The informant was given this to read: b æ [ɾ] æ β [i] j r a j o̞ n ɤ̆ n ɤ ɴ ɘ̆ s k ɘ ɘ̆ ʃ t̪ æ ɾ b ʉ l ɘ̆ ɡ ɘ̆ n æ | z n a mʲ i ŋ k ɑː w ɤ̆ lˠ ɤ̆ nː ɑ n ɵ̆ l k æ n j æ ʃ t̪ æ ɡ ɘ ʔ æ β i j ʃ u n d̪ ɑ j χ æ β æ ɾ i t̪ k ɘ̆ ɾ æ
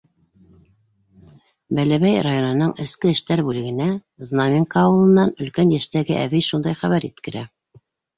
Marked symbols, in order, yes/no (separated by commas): no, no